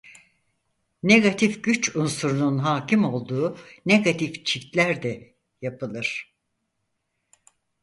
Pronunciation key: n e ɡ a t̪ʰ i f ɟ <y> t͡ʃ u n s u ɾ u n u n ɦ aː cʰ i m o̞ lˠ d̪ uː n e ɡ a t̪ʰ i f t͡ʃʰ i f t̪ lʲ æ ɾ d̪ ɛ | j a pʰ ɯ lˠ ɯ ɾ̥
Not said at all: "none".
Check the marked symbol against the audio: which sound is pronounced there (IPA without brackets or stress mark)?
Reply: y